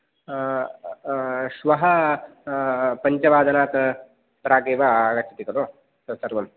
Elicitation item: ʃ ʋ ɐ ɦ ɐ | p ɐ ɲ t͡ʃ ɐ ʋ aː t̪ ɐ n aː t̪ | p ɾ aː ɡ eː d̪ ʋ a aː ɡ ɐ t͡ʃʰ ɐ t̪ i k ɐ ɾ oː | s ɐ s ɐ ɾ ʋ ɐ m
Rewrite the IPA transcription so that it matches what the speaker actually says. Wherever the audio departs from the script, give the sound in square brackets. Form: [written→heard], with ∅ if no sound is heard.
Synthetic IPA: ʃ ʋ ɐ ɦ ɐ | p ɐ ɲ t͡ʃ ɐ ʋ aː [t̪→d̪] ɐ n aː t̪ | p ɾ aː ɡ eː [d̪→∅] ʋ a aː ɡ ɐ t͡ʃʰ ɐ t̪ i k ɐ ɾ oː | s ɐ s ɐ ɾ ʋ ɐ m